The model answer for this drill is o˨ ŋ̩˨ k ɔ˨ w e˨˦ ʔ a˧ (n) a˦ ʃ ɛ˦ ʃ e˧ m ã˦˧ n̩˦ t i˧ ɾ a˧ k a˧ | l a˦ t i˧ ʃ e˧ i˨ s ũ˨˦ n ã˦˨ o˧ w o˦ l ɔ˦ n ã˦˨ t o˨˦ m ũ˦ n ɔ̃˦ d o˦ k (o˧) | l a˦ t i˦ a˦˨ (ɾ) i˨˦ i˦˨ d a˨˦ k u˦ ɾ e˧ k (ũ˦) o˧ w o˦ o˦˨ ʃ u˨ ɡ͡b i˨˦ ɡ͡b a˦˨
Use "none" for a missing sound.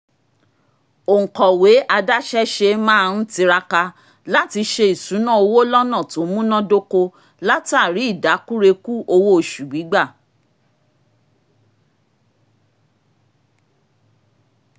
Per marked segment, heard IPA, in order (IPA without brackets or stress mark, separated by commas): d, o˧, ɾ, u˦